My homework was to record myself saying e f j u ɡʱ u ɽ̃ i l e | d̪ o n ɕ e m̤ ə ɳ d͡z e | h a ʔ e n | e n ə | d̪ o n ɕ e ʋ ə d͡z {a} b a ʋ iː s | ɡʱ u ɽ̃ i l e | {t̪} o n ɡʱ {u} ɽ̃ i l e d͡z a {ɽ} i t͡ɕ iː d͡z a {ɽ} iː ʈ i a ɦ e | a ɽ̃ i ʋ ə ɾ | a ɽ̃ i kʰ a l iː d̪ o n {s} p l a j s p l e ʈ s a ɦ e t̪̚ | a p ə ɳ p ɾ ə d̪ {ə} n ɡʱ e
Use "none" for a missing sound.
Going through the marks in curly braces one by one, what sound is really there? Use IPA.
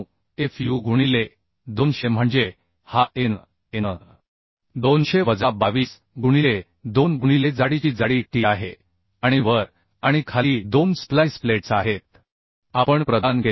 a, d̪, u, ɽ, ɽ, s, a

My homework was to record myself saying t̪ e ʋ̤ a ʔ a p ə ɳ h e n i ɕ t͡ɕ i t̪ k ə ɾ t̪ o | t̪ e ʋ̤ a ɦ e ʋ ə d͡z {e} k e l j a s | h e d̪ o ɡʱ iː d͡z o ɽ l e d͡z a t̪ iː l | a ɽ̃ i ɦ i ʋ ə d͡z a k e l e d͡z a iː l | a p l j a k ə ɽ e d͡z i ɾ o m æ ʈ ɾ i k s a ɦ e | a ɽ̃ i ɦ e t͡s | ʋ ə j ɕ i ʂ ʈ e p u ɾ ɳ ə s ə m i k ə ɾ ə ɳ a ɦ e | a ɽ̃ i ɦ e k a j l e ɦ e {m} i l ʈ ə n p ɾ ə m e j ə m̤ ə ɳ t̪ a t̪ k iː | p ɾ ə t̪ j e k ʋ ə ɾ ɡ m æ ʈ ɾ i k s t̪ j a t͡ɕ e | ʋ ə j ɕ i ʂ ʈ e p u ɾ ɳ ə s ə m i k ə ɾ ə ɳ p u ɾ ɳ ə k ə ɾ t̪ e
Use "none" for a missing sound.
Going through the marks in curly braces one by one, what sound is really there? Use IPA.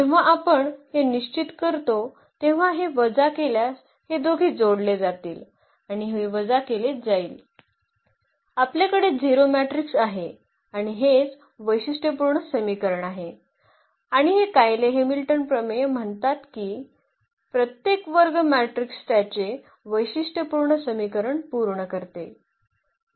a, m

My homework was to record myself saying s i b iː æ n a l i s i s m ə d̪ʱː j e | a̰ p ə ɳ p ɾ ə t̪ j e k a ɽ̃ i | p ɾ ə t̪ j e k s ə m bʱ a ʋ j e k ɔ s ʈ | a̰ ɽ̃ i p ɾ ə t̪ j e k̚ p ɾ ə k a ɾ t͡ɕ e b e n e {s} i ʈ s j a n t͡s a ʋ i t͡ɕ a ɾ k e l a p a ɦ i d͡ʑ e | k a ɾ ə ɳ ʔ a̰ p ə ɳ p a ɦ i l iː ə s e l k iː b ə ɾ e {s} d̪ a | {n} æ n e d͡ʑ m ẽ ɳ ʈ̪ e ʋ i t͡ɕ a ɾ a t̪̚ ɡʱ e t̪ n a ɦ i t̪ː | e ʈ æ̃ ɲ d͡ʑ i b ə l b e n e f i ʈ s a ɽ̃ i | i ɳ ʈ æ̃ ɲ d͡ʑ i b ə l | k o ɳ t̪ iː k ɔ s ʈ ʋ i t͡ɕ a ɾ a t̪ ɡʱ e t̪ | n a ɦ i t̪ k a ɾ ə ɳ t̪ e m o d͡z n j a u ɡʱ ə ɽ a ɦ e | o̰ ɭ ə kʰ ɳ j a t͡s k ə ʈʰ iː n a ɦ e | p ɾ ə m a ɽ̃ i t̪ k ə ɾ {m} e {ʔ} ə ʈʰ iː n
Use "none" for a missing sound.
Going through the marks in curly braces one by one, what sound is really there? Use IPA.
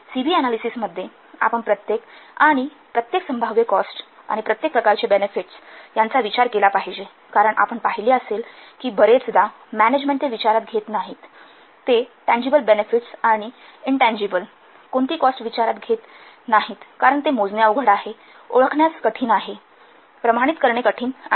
f, t͡s, m, ɳ, k

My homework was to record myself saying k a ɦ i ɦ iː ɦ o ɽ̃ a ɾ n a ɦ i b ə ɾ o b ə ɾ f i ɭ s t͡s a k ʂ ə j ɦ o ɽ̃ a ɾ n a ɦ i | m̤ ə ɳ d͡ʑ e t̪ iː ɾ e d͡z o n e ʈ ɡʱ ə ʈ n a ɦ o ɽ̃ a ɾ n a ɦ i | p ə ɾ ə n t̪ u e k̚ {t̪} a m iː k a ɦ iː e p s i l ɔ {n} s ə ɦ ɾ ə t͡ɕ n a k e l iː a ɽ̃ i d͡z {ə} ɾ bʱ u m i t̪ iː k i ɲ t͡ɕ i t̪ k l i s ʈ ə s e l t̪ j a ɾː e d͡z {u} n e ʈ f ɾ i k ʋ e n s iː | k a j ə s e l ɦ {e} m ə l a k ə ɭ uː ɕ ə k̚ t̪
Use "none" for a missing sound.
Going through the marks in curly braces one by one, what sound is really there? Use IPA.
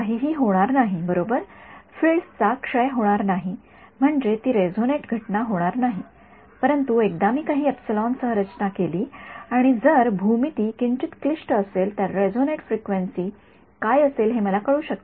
d̪, n, ə, o, e

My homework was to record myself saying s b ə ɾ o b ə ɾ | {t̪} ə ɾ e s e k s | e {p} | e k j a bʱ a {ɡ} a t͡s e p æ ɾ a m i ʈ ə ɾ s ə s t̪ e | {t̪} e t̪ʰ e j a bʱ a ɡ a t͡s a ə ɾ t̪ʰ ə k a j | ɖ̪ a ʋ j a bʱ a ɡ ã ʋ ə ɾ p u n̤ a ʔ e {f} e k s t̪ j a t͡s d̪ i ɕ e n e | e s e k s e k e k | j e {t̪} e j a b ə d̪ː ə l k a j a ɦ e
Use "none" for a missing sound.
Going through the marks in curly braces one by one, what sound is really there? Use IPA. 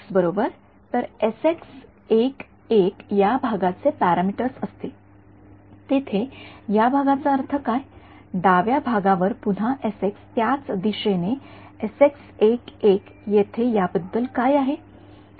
t̪, k, ɡ, t̪, s, t̪ʰ

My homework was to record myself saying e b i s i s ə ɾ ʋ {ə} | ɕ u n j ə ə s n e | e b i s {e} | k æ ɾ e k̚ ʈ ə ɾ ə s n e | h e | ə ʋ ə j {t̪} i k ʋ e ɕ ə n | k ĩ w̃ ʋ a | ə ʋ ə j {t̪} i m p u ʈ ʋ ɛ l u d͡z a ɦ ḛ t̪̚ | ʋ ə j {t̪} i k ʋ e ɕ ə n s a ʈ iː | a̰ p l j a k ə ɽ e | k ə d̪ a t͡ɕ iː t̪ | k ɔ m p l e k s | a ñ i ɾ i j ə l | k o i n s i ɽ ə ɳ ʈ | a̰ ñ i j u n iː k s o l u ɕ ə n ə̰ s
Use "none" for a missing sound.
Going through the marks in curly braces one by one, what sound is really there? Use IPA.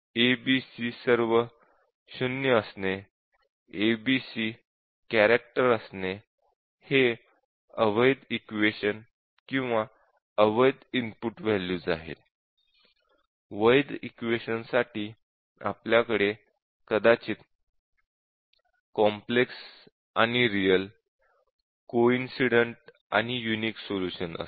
ə, i, d̪, d̪, d̪

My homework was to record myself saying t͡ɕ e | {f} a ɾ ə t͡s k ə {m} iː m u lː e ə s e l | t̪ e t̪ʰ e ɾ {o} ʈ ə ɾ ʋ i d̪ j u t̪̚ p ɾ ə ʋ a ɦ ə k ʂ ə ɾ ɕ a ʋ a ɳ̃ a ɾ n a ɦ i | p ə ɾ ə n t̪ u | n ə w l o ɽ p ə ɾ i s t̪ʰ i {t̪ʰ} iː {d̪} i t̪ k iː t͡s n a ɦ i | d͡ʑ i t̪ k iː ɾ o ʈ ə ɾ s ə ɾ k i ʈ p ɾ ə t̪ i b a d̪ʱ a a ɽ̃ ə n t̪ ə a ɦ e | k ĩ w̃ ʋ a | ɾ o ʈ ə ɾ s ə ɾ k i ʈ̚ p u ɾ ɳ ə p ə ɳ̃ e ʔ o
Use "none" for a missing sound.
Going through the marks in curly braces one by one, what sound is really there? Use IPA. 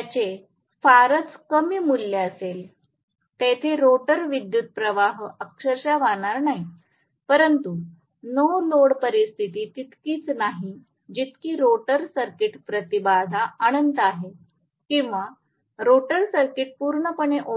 f, m, o, t̪, t̪

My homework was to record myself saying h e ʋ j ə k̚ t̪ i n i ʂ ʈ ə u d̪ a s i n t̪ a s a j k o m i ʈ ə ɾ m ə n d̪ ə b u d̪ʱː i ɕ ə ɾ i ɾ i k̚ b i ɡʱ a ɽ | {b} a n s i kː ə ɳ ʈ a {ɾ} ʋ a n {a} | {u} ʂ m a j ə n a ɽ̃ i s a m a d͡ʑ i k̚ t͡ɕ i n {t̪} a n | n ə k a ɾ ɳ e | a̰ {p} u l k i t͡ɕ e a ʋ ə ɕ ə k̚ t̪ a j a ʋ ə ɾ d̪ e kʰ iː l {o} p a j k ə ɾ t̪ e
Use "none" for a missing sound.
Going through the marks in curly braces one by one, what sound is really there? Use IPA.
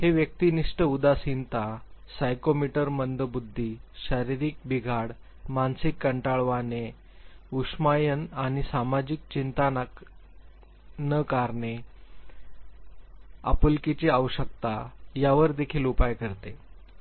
m, ɭ, e, u, t̪, p, u

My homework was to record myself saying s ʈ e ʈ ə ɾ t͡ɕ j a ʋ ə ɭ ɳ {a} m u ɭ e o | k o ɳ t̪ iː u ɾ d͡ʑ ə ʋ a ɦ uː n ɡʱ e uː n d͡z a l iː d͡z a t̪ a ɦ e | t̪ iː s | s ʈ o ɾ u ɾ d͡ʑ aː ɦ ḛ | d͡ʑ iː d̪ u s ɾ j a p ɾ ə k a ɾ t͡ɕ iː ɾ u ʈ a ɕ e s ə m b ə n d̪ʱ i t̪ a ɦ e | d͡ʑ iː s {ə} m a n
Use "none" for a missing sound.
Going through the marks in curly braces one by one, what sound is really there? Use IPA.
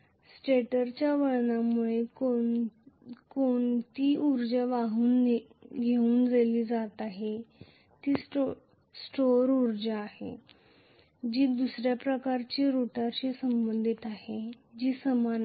a, ə

